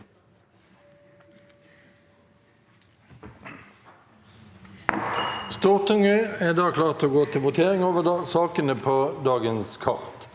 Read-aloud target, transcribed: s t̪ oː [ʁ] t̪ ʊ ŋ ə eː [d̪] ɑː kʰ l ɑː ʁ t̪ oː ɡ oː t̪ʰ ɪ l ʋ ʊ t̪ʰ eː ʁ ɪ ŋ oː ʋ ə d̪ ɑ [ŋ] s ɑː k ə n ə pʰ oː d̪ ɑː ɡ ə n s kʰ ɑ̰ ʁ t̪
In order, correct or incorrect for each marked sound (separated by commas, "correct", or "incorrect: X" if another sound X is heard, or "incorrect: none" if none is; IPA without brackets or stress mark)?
correct, correct, incorrect: none